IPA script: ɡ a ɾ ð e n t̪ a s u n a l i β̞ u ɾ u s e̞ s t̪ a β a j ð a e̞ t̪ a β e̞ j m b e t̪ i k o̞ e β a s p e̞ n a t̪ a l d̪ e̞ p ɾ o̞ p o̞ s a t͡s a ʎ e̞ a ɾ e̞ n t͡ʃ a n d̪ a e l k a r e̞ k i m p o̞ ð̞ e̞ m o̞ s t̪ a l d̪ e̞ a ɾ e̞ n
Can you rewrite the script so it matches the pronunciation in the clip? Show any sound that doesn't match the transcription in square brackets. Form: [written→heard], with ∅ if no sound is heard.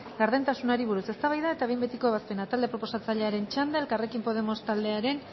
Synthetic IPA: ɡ a ɾ ð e n t̪ a s u n a [l→ɾ] i β̞ u ɾ u s e̞ s t̪ a β a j ð a e̞ t̪ a β e̞ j m b e t̪ i k o̞ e β a s p e̞ n a t̪ a l d̪ e̞ p ɾ o̞ p o̞ s a t͡s a ʎ e̞ a ɾ e̞ n t͡ʃ a n d̪ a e l k a r e̞ k i m p o̞ ð̞ e̞ m o̞ s t̪ a l d̪ e̞ a ɾ e̞ n